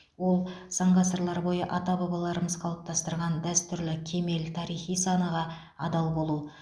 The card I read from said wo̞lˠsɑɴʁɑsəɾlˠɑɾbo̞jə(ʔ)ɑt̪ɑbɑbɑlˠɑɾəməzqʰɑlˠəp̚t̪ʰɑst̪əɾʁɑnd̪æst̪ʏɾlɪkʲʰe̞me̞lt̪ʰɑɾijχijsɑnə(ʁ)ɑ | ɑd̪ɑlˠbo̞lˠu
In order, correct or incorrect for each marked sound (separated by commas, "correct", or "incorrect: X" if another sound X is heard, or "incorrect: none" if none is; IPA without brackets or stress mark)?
correct, correct